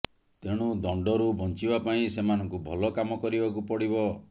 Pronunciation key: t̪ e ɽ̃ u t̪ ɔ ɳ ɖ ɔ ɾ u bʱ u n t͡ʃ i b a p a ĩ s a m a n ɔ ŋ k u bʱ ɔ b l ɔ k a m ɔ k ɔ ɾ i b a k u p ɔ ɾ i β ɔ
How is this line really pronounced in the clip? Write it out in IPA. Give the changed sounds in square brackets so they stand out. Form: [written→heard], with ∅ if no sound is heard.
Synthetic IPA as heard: t̪ e ɽ̃ u [t̪→d̪] ɔ ɳ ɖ ɔ ɾ u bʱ [u→ɔ] n t͡ʃ i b a p a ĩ s [a→e] m a n ɔ ŋ k u bʱ ɔ [b→∅] l ɔ k a m ɔ k ɔ ɾ i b a k u p ɔ [ɾ→ɽ] i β ɔ